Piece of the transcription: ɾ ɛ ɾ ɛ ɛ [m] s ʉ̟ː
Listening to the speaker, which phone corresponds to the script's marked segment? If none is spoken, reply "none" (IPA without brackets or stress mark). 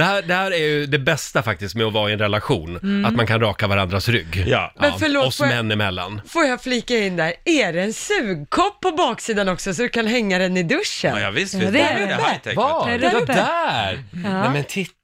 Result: n